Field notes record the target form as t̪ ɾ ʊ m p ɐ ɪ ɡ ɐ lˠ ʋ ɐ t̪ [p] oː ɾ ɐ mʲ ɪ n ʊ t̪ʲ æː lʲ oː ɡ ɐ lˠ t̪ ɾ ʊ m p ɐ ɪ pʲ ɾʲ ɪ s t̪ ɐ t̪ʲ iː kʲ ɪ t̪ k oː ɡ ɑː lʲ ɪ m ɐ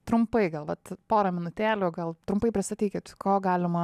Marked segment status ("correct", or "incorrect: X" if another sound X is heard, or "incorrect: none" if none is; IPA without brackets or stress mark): correct